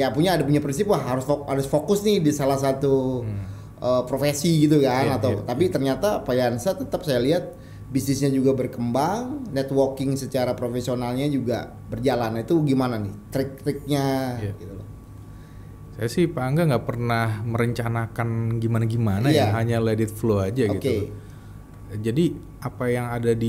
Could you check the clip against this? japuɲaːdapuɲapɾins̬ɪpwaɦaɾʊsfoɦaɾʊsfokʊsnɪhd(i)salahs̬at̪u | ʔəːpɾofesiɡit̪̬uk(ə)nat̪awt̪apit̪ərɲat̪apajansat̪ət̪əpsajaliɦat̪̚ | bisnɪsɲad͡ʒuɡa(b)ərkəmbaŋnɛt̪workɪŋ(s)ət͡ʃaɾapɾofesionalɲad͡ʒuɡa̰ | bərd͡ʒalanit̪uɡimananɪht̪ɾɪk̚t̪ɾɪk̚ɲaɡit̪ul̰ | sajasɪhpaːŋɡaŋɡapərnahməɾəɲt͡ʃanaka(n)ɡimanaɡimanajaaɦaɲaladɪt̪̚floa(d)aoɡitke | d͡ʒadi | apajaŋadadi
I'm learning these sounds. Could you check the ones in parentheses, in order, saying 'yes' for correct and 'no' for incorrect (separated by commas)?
yes, no, yes, yes, yes, no